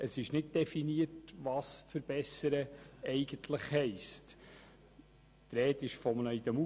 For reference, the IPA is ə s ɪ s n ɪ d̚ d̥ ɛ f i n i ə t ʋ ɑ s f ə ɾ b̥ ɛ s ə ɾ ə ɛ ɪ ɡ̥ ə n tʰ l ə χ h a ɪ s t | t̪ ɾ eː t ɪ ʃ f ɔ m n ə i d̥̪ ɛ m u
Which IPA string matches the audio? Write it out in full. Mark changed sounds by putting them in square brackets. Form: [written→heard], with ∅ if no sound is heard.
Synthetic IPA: ə s ɪ [s→ʃ] n ɪ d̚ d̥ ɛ f i n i ə t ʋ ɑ s f ə ɾ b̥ ɛ s ə ɾ ə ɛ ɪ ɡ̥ ə n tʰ l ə χ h [a→ɛ] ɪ s t | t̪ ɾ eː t ɪ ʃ f ɔ m n ə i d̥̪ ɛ m u